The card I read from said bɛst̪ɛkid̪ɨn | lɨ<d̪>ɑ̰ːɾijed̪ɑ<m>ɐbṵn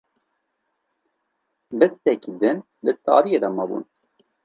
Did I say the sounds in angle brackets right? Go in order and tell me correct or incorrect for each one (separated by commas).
incorrect, correct